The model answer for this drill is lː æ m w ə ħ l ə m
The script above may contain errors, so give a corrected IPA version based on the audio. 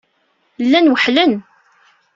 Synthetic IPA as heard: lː æ n w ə ħ l ə n